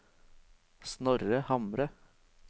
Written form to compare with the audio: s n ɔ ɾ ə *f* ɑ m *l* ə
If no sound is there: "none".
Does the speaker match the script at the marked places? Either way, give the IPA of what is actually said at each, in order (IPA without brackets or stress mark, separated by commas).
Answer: h, ɾ